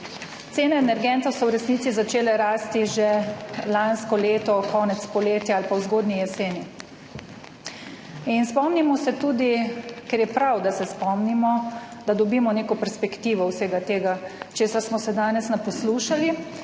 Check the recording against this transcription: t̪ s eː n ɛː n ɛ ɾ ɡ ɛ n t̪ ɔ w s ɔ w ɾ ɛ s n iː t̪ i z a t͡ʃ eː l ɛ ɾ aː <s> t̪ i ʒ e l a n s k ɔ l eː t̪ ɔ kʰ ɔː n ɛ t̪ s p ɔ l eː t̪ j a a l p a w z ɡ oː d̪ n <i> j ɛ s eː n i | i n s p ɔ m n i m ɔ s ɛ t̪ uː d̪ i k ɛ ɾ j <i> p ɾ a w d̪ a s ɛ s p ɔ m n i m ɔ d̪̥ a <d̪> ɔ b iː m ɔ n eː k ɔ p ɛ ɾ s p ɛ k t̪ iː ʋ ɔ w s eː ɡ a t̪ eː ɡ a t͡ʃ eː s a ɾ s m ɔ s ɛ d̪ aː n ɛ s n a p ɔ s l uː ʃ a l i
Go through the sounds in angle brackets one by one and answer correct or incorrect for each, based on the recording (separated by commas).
correct, correct, incorrect, correct